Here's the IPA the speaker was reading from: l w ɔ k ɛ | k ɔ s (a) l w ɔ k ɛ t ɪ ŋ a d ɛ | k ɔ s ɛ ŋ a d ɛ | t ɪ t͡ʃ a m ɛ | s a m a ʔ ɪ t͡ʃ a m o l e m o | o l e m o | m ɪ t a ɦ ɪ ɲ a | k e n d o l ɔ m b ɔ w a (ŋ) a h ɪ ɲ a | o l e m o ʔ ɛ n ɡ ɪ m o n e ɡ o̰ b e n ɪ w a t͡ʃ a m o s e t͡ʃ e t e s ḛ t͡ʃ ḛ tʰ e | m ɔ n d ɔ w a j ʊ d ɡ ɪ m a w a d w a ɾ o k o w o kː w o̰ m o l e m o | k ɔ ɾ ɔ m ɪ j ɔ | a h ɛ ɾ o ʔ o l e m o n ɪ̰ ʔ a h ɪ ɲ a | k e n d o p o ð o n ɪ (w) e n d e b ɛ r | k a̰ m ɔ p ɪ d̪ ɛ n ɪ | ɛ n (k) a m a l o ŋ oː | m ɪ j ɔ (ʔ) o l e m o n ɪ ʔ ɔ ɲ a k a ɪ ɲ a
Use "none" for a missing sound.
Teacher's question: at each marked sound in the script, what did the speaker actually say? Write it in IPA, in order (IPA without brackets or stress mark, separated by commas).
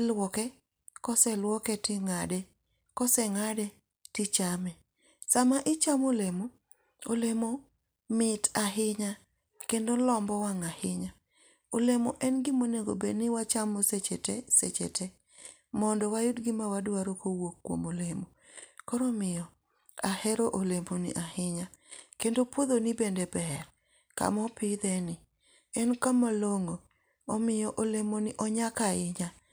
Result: ɛ, ŋ, b, k, ʔ